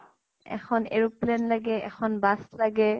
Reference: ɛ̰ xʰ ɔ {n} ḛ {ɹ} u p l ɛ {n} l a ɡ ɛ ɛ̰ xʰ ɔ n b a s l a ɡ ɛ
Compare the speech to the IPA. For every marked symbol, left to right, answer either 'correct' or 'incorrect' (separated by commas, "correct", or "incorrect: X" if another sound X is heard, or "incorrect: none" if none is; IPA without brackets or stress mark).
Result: correct, correct, correct